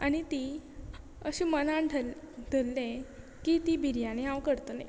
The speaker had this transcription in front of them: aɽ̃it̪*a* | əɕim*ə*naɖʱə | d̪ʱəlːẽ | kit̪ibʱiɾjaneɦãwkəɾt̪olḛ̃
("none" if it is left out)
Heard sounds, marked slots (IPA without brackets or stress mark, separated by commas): i, ə